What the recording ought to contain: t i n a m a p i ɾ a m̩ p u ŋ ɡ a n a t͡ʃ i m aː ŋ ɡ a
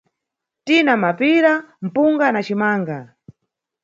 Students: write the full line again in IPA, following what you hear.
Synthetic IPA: t i n a m a p i ɾ a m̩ p u ŋ ɡ a n a t͡ʃ i m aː ŋ ɡ a